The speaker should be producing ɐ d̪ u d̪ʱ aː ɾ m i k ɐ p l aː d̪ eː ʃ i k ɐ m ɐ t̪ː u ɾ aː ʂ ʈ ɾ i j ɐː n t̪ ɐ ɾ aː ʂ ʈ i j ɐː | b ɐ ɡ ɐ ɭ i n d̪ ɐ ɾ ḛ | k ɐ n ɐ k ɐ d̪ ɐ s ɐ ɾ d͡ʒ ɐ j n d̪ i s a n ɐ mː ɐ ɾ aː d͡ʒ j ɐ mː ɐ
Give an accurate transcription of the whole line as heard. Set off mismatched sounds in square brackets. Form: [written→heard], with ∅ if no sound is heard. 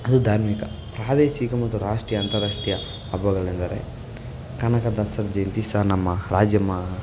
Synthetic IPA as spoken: ɐ d̪ u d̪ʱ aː ɾ m i k ɐ p [l→ɾ] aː d̪ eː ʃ i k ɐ m ɐ t̪ː u ɾ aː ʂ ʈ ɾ i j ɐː n t̪ ɐ ɾ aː ʂ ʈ i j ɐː | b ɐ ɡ ɐ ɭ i n d̪ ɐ ɾ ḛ | k ɐ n ɐ k ɐ d̪ ɐ s ɐ ɾ d͡ʒ ɐ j n [d̪→t̪] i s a n ɐ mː ɐ ɾ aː d͡ʒ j ɐ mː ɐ